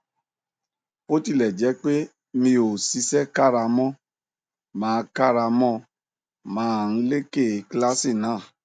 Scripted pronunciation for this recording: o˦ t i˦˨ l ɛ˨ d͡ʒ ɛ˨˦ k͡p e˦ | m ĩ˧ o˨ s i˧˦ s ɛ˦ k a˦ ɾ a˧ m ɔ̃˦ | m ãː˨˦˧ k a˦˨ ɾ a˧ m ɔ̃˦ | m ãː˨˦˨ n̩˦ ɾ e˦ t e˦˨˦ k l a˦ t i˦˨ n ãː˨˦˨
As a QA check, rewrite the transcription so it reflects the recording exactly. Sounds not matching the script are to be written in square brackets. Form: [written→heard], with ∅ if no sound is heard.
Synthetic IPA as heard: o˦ t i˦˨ l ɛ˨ d͡ʒ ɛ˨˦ k͡p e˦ | m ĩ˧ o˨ s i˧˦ s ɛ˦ k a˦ ɾ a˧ m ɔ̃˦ | m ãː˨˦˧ k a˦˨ ɾ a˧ m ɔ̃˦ | m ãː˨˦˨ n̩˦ [ɾ→l] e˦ [t→k] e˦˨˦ k l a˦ [t→s] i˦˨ n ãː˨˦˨